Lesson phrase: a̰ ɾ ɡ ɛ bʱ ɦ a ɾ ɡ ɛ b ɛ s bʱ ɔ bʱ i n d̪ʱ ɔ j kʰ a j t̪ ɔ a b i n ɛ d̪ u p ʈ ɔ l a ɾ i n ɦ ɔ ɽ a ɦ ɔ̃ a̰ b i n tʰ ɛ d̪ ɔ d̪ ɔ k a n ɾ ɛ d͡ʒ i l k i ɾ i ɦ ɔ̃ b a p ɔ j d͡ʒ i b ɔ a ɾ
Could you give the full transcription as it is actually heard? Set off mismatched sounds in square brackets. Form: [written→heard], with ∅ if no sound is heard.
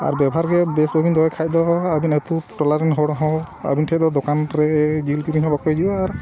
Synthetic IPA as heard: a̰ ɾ [ɡ→b] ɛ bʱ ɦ a ɾ ɡ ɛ b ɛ s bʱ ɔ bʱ i n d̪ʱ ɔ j kʰ a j [t̪→d̪] ɔ a b i n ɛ [d̪→t̪] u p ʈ ɔ l a ɾ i n ɦ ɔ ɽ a ɦ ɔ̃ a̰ b i n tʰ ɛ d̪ ɔ d̪ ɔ k a n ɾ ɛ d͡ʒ i l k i ɾ i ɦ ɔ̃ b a [p→k] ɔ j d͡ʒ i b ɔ a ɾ